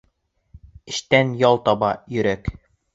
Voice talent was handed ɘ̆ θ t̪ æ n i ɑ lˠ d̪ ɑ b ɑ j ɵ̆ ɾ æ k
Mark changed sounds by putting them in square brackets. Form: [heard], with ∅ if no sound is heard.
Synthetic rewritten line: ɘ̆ [ʃ] t̪ æ n [j] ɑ lˠ [t̪] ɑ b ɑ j ɵ̆ ɾ æ k